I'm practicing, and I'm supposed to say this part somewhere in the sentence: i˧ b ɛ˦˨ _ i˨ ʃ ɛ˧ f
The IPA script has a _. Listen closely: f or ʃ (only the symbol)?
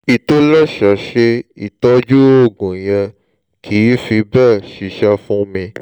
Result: ʃ